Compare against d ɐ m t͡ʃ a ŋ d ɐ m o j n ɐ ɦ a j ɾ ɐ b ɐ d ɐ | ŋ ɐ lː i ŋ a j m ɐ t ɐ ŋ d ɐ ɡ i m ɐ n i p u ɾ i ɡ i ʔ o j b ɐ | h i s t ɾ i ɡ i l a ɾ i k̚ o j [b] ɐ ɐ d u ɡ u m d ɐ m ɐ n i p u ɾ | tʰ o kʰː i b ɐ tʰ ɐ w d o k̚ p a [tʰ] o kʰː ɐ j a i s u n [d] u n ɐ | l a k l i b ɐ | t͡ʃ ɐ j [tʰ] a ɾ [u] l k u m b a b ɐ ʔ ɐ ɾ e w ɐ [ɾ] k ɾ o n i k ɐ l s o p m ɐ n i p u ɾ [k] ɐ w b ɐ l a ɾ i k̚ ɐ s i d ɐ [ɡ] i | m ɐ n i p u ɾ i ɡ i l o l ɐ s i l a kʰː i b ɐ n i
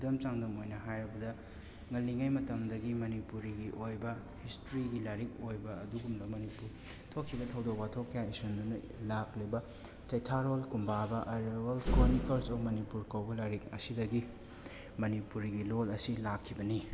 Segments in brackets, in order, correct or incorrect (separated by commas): correct, correct, correct, correct, incorrect, incorrect, correct, correct